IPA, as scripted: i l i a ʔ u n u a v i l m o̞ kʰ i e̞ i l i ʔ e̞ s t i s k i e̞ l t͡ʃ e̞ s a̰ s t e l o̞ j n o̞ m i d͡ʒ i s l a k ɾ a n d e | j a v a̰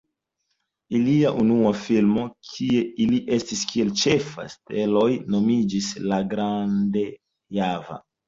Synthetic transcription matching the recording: i l i a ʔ u n u a f i l m o̞ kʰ i e̞ i l i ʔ e̞ s t i s k i e̞ l t͡ʃ e̞ f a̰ s t e l o̞ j n o̞ m i d͡ʒ i s l a ɡ ɾ a n d e | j a v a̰